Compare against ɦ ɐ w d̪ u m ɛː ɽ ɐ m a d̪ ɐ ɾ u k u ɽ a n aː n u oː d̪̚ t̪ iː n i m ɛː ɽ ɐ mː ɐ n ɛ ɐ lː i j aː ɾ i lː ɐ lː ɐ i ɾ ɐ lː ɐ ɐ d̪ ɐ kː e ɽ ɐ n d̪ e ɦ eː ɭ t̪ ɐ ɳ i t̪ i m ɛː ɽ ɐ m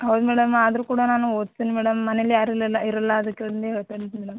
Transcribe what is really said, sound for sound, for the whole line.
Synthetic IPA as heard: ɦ ɐ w d̪ u m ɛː ɽ ɐ m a d̪ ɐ ɾ u k uː ɽ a n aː n u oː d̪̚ t̪ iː n i m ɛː ɽ ɐ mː ɐ n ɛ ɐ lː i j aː ɾ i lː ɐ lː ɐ i ɾ ɐ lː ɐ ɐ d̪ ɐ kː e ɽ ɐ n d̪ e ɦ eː ɭ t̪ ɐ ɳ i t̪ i m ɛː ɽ ɐ m

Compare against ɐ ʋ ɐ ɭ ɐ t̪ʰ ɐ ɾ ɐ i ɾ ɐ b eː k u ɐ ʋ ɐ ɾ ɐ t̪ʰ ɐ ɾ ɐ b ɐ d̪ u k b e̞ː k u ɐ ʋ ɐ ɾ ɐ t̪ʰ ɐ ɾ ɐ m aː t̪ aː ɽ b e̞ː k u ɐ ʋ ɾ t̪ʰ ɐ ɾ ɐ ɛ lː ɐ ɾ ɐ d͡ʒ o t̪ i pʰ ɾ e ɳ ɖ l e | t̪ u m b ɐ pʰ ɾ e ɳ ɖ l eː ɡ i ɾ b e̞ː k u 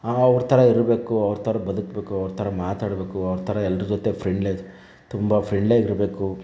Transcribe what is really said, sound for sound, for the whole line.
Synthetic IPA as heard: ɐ ʋ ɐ ɾ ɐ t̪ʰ ɐ ɾ ɐ i ɾ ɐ b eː k u ɐ ʋ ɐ ɾ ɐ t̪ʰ ɐ ɾ ɐ b ɐ d̪ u k b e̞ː k u ɐ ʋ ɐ ɾ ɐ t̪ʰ ɐ ɾ ɐ m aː t̪ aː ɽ b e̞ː k u ɐ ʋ ɾ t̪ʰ ɐ ɾ ɐ ɛ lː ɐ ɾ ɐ d͡ʒ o t̪ e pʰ ɾ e ɳ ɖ l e | t̪ u m b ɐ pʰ ɾ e ɳ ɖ l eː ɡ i ɾ b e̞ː k u

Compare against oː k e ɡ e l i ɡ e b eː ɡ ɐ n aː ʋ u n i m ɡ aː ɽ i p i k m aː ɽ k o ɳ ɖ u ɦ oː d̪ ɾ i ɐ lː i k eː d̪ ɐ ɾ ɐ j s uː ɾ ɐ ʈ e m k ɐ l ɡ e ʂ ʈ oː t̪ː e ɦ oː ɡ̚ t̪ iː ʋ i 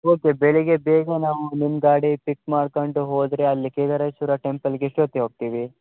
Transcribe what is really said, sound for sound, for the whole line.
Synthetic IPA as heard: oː k e b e ɭ i ɡ e b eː ɡ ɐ n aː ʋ u n i m ɡ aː ɽ i p i k m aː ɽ k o ɳ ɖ u ɦ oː d̪ ɾ e ɐ lː i k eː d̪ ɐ ɾ ɐ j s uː ɾ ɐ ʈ e m p ɐ l ɡ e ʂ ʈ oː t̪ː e ɦ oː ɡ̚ t̪ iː ʋ i

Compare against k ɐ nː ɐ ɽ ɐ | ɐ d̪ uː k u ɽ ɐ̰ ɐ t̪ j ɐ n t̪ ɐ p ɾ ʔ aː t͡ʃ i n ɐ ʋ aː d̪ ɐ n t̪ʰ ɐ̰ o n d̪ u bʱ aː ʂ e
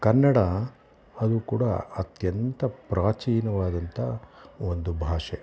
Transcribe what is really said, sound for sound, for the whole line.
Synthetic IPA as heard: k ɐ nː ɐ ɽ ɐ | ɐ d̪ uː k uː ɽ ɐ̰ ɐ t̪ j ɐ n t̪ ɐ p ɾ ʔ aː t͡ʃ iː n ɐ ʋ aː d̪ ɐ n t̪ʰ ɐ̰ o n d̪ u bʱ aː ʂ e

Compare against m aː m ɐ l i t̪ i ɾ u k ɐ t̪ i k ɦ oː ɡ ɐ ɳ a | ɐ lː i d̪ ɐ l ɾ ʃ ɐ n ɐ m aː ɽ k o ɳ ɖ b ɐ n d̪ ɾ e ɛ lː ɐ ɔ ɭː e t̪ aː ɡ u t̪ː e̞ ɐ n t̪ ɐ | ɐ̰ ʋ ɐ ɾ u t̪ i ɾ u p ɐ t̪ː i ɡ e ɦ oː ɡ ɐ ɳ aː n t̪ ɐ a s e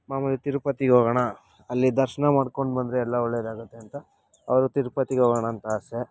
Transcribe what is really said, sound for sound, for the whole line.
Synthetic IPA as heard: m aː m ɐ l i t̪ i ɾ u p ɐ t̪ i ɡ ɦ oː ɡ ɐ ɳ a | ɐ lː i d̪ ɐ ɾ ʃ ɐ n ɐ m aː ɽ k o ɳ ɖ b ɐ n d̪ ɾ e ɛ lː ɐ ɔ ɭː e d̪ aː ɡ u t̪ː e̞ ɐ n t̪ ɐ | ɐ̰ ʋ ɐ ɾ u t̪ i ɾ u p ɐ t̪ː i ɡ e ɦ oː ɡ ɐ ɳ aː n t̪ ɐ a s e

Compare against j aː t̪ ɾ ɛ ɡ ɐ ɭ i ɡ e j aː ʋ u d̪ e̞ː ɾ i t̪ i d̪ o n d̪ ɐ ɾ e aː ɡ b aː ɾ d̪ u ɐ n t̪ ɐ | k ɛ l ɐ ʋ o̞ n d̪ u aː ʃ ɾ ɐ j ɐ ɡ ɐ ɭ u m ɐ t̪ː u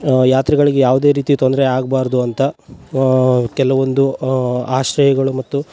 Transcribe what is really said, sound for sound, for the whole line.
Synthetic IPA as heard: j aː t̪ ɾ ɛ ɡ ɐ ɭ i ɡ e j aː ʋ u d̪ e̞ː ɾ iː t̪ i t̪ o n d̪ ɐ ɾ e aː ɡ b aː ɾ d̪ u ɐ n t̪ ɐ | k ɛ l ɐ ʋ o̞ n d̪ u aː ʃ ɾ ɐ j ɐ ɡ ɐ ɭ u m ɐ t̪ː u

